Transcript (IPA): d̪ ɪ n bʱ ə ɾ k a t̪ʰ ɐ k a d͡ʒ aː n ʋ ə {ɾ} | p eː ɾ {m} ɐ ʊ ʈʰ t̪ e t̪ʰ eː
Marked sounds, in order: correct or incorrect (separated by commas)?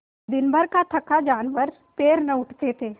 correct, incorrect